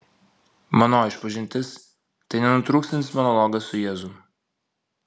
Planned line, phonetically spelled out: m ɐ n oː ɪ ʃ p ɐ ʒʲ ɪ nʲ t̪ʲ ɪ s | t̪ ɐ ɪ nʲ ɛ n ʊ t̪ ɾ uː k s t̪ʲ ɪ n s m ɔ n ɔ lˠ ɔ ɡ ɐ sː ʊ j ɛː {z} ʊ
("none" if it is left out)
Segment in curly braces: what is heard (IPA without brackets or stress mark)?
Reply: z